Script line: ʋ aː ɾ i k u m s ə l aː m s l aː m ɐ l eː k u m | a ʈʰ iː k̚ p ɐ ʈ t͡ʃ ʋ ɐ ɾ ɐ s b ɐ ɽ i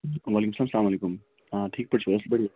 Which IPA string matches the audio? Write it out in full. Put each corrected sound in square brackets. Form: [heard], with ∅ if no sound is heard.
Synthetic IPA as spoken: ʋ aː [l] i k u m s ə l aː m s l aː m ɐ l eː k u m | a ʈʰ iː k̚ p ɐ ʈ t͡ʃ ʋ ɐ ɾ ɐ s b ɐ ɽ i